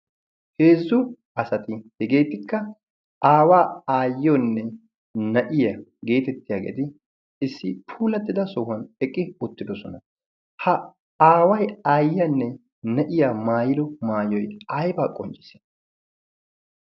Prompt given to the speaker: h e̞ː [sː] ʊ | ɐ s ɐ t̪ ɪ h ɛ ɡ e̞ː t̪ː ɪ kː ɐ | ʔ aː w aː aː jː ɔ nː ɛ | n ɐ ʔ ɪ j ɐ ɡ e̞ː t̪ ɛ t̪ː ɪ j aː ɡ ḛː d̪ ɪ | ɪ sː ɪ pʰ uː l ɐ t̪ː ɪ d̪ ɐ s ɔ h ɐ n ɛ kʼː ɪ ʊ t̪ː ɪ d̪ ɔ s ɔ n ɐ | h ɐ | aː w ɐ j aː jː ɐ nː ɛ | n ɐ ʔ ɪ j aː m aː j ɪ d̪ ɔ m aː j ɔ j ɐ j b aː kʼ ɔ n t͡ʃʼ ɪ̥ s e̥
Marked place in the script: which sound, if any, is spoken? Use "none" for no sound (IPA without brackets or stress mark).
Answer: zː